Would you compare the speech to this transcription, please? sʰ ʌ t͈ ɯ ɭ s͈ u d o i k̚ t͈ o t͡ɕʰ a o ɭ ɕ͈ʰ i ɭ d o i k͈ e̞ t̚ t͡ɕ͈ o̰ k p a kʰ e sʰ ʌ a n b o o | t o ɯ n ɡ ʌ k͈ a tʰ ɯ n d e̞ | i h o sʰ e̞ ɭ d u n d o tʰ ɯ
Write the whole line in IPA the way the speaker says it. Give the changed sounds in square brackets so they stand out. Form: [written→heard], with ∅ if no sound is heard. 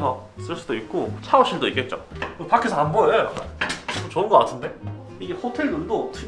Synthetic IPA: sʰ ʌ [t͈→s͈] ɯ ɭ s͈ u d o i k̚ [t͈→k͈] o t͡ɕʰ a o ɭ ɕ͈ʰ i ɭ d o i k͈ e̞ t̚ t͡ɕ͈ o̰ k p a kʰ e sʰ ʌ a n b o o | [t→t͡ɕ] o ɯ n ɡ ʌ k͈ a tʰ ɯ n d e̞ | i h o [sʰ→tʰ] e̞ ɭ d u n d o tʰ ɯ